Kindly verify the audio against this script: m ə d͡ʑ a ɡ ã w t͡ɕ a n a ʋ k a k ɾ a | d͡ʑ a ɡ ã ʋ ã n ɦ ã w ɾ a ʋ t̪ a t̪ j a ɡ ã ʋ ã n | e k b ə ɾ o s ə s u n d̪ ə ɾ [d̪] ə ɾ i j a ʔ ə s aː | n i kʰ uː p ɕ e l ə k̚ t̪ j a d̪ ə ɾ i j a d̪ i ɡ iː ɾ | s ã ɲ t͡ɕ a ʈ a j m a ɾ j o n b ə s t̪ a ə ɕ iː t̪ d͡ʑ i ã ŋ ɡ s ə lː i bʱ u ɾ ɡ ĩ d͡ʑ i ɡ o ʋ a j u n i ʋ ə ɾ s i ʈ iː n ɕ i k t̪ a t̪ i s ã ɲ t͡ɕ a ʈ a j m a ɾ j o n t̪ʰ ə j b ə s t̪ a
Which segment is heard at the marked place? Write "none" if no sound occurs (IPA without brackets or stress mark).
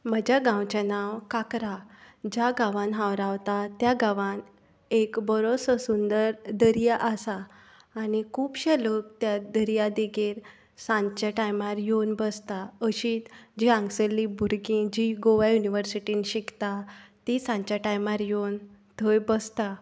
d̪